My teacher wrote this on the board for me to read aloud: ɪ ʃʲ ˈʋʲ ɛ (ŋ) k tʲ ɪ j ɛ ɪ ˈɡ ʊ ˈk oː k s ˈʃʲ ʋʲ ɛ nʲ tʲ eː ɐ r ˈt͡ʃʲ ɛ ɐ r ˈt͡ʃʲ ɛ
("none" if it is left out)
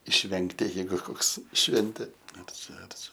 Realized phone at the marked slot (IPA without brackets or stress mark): ŋ